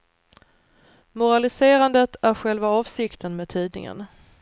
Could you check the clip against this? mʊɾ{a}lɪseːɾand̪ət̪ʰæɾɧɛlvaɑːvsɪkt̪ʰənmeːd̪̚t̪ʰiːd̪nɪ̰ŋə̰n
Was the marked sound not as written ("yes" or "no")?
no